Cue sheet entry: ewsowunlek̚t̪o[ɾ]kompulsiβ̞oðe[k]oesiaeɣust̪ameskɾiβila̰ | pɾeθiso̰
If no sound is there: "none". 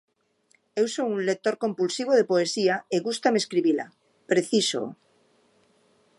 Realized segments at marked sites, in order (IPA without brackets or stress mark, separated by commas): ɾ, p